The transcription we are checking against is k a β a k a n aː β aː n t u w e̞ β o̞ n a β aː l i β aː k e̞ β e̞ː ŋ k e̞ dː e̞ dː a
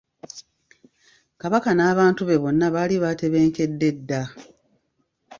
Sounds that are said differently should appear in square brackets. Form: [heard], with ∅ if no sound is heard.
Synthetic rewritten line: k a β a k a n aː β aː n t u [β] e̞ β o̞ [nː] a β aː l i β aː [t] e̞ β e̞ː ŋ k e̞ dː e̞ dː a

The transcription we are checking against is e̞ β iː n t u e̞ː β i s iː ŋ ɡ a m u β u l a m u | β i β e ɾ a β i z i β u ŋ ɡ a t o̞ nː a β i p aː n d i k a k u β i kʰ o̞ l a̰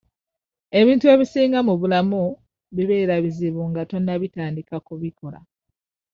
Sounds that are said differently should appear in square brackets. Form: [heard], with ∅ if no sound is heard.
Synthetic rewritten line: e̞ β iː n t u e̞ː β i s iː ŋ ɡ a m u β u l a m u | β i β e ɾ a β i z i β u ŋ ɡ a t o̞ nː a β i [t] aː n d i k a k u β i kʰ o̞ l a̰

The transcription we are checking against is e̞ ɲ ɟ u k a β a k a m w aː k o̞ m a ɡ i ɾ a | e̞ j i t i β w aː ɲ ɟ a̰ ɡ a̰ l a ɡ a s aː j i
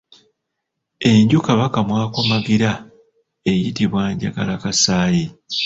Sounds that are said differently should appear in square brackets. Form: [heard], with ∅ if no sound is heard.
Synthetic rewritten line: e̞ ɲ ɟ u k a β a k a m w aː k o̞ m a ɡ i ɾ a | e̞ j i t i β w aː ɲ ɟ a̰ ɡ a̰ l a [k] a s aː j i

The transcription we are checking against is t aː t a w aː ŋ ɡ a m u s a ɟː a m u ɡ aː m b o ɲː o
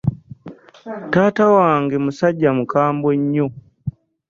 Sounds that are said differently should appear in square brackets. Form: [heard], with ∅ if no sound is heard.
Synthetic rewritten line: t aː t a w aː ŋ ɡ [e] m u s a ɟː a m u [k] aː m b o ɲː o

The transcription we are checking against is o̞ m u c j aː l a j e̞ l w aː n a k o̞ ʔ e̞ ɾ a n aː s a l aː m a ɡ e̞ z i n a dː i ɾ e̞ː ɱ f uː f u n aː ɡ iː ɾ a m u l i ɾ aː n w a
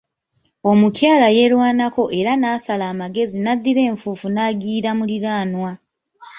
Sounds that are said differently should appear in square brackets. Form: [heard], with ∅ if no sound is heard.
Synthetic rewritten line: o̞ m u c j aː l a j e̞ l w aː n a k o̞ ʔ e̞ ɾ a n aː s a l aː m a ɡ e̞ z i n a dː i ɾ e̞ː ɱ f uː f u n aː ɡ iː ɾ a m u l i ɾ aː n w a

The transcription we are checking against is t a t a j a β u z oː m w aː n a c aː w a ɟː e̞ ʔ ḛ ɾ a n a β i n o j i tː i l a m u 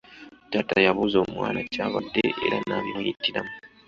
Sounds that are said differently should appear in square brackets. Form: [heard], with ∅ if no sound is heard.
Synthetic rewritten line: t a t a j a β u z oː m w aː n a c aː [β] a [dː] e̞ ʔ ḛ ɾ a n a β i n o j i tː i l a m u

